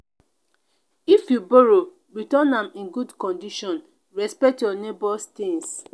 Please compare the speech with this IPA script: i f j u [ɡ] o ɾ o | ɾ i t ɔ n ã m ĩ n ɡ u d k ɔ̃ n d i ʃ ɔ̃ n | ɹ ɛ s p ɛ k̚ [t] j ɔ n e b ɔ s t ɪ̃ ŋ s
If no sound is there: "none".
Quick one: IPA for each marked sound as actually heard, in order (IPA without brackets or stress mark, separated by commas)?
b, t